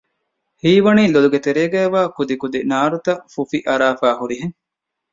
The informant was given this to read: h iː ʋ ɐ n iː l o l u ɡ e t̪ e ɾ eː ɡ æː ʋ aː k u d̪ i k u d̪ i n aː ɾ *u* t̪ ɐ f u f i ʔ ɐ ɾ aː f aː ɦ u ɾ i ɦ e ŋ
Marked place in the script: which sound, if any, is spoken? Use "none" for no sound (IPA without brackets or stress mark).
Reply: u